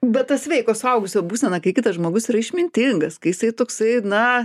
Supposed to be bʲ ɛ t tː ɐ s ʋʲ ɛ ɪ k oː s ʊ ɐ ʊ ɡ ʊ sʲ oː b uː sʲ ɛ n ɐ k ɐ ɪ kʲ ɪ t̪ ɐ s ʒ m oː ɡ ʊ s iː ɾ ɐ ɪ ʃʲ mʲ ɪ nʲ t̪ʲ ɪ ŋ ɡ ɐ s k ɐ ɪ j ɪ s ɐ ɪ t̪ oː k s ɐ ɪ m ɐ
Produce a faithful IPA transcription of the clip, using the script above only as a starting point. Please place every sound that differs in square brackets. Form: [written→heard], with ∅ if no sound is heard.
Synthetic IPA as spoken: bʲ ɛ t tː ɐ s ʋʲ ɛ ɪ k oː s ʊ ɐ ʊ ɡ ʊ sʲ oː b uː sʲ ɛ n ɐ k ɐ ɪ kʲ ɪ t̪ ɐ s ʒ m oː ɡ ʊ s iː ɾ ɐ ɪ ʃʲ mʲ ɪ nʲ t̪ʲ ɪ ŋ ɡ ɐ s k ɐ ɪ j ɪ s ɐ ɪ t̪ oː k s ɐ ɪ [m→n] ɐ